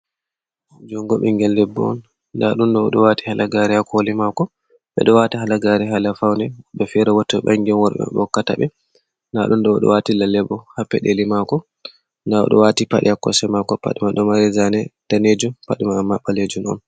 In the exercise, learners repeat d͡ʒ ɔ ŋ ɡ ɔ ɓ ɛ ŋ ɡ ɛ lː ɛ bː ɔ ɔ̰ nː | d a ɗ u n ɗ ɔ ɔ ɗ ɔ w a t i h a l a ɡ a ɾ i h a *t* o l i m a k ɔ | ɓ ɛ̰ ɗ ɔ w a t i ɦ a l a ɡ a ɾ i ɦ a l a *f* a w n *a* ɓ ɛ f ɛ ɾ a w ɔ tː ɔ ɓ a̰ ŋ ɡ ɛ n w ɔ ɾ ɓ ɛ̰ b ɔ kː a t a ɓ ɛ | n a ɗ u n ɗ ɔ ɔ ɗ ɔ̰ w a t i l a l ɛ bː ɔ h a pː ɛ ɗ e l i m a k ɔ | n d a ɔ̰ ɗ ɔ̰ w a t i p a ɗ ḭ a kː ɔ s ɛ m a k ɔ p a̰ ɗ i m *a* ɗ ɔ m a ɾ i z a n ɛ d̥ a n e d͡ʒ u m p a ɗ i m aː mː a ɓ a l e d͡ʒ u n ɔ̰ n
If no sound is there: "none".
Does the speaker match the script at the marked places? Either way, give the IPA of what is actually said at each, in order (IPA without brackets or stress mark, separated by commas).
k, f, ɛ, a